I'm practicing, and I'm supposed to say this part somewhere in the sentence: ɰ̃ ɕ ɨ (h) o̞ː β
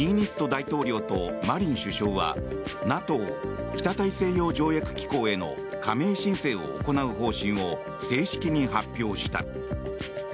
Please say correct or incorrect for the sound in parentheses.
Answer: incorrect